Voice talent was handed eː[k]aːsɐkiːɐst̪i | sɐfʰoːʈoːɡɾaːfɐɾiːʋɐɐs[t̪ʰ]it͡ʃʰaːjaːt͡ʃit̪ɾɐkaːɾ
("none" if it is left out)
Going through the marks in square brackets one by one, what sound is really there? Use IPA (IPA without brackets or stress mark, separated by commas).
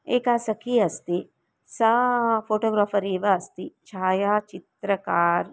k, t̪